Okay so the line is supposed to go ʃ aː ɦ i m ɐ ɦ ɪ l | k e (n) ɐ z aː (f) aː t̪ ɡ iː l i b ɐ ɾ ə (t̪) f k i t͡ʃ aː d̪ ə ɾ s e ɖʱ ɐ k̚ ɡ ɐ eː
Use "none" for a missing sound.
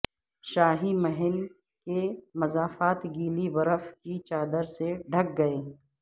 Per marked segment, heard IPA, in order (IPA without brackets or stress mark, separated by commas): m, f, none